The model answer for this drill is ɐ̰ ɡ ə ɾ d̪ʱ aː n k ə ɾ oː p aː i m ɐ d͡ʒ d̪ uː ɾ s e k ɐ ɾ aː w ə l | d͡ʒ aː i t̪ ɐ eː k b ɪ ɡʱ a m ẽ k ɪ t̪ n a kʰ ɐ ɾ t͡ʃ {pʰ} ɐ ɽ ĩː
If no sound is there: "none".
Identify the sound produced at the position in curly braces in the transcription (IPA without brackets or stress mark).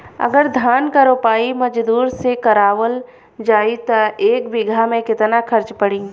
p